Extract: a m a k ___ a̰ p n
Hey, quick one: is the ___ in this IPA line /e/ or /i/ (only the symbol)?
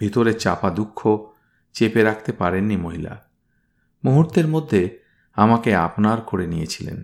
e